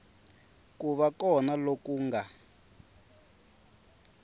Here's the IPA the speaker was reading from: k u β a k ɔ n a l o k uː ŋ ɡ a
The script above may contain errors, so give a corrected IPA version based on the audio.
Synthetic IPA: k u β a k ɔ n a l o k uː ŋ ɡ a